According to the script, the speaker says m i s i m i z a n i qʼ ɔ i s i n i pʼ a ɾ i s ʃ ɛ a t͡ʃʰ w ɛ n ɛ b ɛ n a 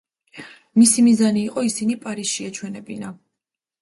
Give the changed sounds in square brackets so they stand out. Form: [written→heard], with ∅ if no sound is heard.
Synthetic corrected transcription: m i s i m i z a n [i→iː] qʼ ɔ i s i n i pʼ a ɾ i s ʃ [ɛ→i] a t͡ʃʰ w ɛ n ɛ b [ɛ→i] n a

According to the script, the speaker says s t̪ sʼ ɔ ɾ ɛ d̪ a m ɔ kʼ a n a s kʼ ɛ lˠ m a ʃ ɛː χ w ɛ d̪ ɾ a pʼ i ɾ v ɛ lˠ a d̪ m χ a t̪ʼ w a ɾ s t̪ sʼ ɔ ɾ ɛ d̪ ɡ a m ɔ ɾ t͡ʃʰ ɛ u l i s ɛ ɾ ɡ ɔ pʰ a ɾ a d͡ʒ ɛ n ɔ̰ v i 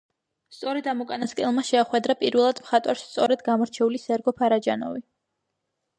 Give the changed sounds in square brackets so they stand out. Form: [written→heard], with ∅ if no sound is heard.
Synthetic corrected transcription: s t̪ sʼ ɔ ɾ ɛ d̪ a m ɔ kʼ a n a s kʼ ɛ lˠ m a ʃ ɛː χ w ɛ d̪ ɾ a pʼ i ɾ v ɛ lˠ a d̪ m χ a t̪ʼ w a ɾ s t̪ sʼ ɔ ɾ ɛ d̪ ɡ a m ɔ ɾ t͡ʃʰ ɛ u l i s ɛ ɾ ɡ ɔ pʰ a ɾ a d͡ʒ [ɛ→a] n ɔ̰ v i

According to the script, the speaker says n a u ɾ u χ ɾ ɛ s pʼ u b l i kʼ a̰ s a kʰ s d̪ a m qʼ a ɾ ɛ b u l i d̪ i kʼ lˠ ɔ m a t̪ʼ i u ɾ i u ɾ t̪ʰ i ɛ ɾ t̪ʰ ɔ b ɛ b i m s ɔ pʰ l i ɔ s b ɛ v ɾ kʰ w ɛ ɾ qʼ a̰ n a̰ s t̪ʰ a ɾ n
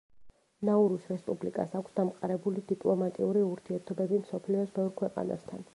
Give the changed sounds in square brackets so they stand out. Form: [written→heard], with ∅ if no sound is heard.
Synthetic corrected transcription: n a u ɾ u [χ→s] ɾ ɛ s pʼ u b l i kʼ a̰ s a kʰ s d̪ a m qʼ a ɾ ɛ b u l i d̪ i [kʼ→pʼ] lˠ ɔ m a t̪ʼ i u ɾ i u ɾ t̪ʰ i ɛ ɾ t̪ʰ ɔ b ɛ b i m s ɔ pʰ l i ɔ s b ɛ v ɾ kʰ w ɛ [ɾ→∅] qʼ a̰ n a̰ s t̪ʰ a [ɾ→∅] n

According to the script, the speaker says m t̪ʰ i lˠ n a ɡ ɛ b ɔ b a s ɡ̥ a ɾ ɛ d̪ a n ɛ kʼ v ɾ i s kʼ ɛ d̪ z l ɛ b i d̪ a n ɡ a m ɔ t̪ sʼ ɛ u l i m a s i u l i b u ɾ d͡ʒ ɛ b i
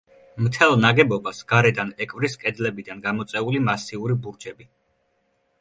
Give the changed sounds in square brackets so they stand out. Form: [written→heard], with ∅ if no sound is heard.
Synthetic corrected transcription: m t̪ʰ [i→ɛ] lˠ n a ɡ ɛ b ɔ b a s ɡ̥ a ɾ ɛ d̪ a n ɛ kʼ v ɾ i s kʼ ɛ d̪ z l ɛ b i d̪ a n ɡ a m ɔ t̪ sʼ ɛ u l i m a s i u [l→ɾ] i b u ɾ d͡ʒ ɛ b i

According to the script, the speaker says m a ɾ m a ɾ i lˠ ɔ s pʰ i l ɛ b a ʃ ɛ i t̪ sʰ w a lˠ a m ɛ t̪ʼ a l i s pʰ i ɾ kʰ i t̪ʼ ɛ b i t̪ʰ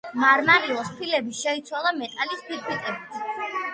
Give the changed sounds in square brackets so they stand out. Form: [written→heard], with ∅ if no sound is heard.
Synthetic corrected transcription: m a ɾ m a ɾ i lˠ ɔ s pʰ i l ɛ b [a→i] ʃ ɛ i t̪ sʰ w a lˠ a m ɛ t̪ʼ a l i s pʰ i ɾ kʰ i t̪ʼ ɛ b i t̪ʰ

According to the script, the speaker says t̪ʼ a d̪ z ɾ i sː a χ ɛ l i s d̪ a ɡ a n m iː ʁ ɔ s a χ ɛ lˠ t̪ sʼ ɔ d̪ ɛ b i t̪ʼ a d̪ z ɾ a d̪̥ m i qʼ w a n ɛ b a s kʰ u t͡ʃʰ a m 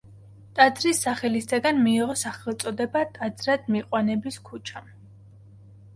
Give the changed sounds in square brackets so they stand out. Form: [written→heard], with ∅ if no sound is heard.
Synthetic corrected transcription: t̪ʼ a d̪ z ɾ i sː a χ ɛ l i s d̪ a ɡ a n m iː ʁ ɔ s a χ ɛ lˠ t̪ sʼ ɔ d̪ ɛ b [i→a] t̪ʼ a d̪ z ɾ a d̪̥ m i qʼ w a n ɛ b [a→i] s kʰ u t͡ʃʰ a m

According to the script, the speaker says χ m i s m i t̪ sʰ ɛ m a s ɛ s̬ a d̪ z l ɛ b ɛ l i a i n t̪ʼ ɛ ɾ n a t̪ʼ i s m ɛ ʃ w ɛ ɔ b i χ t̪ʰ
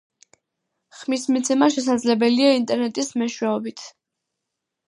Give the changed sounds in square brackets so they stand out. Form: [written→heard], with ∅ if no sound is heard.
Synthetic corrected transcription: χ m i s m i t̪ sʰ ɛ m a [s→ʃ] ɛ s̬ a d̪ z l ɛ b ɛ l i a i n t̪ʼ ɛ ɾ n [a→ɛ] t̪ʼ i s m ɛ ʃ w ɛ ɔ b i [χ→∅] t̪ʰ

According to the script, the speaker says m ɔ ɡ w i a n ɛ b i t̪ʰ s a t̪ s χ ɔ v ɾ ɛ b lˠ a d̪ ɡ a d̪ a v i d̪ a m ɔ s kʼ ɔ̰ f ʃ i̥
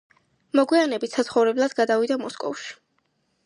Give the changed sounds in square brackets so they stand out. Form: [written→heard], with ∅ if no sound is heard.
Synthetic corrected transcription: m ɔ ɡ w i a n ɛ b i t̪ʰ s a t̪ s χ ɔ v ɾ ɛ b lˠ a d̪ ɡ a d̪ a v i d̪ a m ɔ s kʼ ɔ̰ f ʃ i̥

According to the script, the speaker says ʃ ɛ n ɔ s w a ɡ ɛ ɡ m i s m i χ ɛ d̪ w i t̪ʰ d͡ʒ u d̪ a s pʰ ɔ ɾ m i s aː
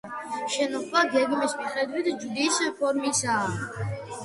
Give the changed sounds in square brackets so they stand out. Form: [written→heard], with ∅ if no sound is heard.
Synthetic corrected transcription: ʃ ɛ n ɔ [s→χ] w a ɡ ɛ ɡ m i s m i χ ɛ d̪ w i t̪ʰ d͡ʒ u d̪ [a→i] s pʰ ɔ ɾ m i s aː

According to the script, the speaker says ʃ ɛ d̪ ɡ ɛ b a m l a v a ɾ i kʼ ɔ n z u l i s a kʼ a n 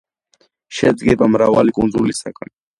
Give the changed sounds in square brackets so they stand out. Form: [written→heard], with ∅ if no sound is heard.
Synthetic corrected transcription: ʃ ɛ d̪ ɡ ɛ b a m [l→ɾ] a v a [ɾ→l] i kʼ [ɔ→u] n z u l i s a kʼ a n

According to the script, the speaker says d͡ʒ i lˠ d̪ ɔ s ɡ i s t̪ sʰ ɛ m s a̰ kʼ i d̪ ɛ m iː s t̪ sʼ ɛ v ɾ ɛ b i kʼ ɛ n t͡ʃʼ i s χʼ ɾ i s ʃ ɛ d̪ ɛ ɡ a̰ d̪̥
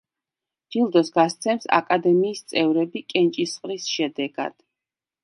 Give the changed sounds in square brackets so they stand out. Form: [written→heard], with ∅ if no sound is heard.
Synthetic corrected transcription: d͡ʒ i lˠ d̪ ɔ s ɡ [i→a] s t̪ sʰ ɛ m s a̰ kʼ [i→a] d̪ ɛ m iː s t̪ sʼ ɛ v ɾ ɛ b i kʼ ɛ n t͡ʃʼ i s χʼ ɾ i s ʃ ɛ d̪ ɛ ɡ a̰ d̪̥

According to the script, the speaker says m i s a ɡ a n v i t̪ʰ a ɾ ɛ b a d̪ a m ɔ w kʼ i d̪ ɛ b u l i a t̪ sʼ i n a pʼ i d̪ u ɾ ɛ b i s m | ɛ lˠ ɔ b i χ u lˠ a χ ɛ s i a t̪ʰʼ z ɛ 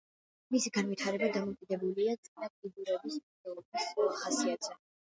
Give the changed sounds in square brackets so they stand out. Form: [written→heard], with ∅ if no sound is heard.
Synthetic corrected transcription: m i s [a→i] ɡ a n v i t̪ʰ a ɾ ɛ b a d̪ a m ɔ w kʼ i d̪ ɛ b u l i a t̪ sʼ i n a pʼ i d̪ u ɾ ɛ b i s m | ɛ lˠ ɔ b i [χ→s] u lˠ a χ [ɛ→a] s i a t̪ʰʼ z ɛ

